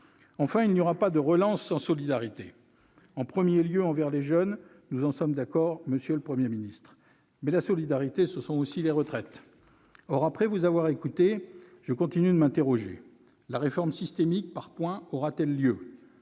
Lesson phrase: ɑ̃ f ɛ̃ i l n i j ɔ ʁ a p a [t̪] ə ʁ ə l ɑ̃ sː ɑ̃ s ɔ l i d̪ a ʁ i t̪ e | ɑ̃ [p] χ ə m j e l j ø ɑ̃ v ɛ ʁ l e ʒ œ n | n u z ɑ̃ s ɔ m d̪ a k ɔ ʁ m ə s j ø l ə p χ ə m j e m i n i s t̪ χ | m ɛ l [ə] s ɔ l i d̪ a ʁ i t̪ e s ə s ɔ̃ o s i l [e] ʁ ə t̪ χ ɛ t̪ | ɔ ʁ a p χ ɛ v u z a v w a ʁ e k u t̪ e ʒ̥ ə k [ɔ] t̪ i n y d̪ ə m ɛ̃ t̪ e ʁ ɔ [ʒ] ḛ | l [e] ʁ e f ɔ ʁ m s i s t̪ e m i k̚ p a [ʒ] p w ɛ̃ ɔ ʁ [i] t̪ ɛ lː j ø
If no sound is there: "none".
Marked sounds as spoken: d̪, p, a, e, ɔ̃, ʒ, a, ʁ, a

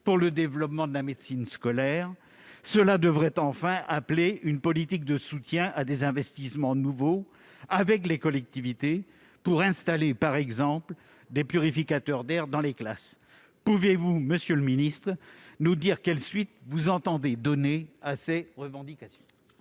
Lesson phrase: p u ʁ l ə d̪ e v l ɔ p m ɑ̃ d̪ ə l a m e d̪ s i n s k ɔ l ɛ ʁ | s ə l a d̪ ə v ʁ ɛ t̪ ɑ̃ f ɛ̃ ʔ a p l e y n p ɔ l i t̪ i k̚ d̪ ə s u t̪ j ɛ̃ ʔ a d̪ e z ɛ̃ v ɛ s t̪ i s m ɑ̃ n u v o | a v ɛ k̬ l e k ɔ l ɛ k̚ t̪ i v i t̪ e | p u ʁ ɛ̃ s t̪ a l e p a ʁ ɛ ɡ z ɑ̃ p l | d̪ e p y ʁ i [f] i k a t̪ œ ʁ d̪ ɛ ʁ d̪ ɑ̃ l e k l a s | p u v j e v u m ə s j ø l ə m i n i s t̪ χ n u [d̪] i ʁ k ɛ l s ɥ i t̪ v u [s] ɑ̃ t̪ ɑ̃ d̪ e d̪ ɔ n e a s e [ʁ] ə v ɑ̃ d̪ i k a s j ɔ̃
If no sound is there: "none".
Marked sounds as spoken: f, d̪, z, ʁ

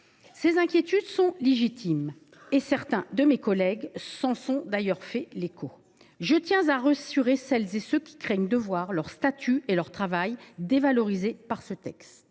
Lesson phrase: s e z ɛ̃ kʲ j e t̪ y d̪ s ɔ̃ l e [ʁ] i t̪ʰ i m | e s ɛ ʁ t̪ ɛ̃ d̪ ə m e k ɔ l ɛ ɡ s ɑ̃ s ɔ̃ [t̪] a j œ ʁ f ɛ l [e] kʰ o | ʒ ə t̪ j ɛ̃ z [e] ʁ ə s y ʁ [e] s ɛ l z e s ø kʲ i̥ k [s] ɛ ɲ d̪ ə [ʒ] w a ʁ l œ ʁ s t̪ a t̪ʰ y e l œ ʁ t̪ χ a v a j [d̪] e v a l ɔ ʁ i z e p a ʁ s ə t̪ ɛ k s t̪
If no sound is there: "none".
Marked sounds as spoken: ʒ, d̪, e, a, e, χ, v, d̪

